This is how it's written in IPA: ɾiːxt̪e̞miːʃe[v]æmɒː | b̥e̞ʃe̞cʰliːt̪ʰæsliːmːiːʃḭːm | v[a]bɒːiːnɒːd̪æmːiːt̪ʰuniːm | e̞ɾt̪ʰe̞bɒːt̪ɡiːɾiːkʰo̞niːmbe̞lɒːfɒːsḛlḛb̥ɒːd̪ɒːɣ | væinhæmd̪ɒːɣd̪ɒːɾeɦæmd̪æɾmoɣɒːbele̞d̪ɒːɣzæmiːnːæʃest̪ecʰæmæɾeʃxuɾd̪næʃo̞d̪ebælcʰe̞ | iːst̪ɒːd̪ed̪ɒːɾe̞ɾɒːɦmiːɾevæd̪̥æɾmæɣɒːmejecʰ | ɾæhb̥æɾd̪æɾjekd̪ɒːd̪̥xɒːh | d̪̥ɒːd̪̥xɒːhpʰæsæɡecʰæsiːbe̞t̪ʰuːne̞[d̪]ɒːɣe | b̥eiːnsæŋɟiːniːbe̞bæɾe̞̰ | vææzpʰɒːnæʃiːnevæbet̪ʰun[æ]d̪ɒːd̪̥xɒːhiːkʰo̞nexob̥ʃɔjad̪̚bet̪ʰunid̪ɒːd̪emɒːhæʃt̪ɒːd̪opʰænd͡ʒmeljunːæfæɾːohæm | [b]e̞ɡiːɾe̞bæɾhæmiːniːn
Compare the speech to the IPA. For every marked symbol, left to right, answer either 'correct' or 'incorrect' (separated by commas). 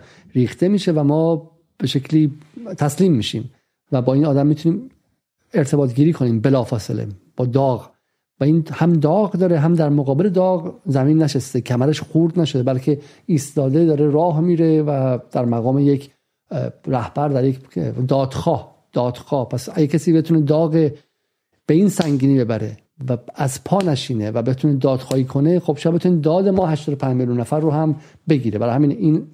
correct, incorrect, correct, incorrect, correct